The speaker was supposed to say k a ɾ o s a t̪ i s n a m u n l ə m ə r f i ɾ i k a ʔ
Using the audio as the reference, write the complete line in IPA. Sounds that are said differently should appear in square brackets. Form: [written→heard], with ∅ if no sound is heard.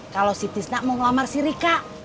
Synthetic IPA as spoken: k a [ɾ→l] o s [a→i] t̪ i s n a m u [n→ŋ] l [ə→a] m [ə→a] r [f→s] i ɾ i k a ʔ